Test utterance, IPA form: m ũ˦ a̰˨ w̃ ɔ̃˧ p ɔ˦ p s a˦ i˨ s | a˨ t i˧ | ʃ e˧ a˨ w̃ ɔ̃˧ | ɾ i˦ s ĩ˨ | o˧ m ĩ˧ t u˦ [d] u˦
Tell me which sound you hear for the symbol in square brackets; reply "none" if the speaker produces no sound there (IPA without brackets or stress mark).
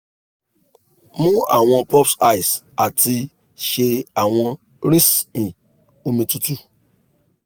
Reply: t